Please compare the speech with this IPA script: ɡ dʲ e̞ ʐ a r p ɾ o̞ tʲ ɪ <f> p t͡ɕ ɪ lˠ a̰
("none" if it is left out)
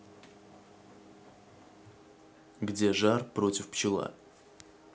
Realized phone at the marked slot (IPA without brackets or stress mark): f